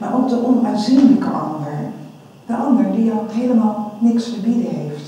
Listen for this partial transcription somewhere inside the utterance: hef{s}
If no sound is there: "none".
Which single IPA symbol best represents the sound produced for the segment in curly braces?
t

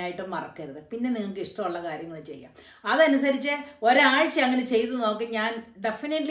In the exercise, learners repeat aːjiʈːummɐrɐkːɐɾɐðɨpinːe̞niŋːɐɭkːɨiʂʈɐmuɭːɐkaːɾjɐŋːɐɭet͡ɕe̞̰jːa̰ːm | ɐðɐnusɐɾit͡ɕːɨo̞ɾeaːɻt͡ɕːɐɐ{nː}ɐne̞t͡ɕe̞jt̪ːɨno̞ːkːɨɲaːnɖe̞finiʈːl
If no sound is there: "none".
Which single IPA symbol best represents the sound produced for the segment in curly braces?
ŋː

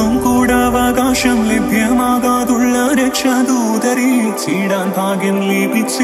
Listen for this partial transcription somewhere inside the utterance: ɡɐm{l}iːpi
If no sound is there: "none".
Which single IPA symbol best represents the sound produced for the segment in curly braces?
l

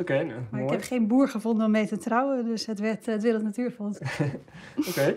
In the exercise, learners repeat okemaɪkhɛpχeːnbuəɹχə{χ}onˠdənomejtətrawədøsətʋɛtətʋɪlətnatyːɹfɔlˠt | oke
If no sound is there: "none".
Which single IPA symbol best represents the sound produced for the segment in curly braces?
f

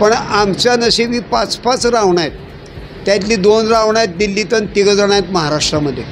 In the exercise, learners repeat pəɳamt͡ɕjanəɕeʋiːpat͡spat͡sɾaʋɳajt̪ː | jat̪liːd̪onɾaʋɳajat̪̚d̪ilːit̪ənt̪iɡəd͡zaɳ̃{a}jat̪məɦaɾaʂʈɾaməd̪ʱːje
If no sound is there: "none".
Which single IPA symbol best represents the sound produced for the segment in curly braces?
a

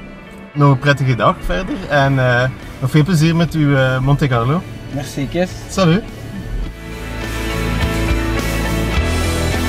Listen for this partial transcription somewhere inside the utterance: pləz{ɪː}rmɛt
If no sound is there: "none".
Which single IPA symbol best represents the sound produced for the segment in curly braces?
iː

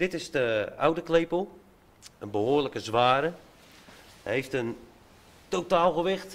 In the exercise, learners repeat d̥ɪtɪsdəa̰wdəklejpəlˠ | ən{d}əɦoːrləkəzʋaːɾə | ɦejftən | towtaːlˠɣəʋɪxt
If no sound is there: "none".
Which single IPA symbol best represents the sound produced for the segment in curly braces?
b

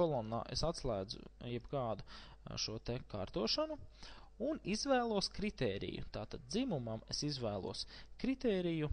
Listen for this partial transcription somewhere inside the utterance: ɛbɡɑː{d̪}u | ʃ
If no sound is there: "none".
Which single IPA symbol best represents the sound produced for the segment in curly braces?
d̪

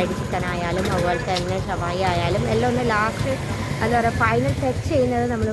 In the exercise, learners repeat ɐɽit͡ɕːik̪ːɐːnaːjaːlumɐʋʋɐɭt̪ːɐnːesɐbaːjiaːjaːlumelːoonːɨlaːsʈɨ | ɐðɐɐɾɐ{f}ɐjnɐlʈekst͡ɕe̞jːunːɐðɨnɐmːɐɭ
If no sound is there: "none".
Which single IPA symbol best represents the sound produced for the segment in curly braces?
f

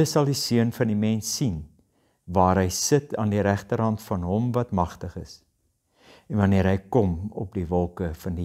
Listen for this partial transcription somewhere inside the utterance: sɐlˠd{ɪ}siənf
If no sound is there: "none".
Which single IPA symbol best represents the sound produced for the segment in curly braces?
i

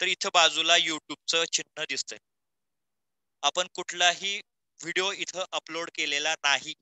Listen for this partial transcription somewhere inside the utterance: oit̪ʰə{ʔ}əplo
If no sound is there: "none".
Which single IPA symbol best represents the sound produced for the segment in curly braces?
ʔ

